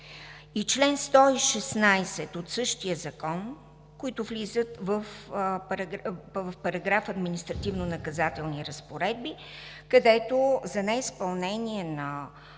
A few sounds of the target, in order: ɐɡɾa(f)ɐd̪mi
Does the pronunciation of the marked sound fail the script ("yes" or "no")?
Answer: no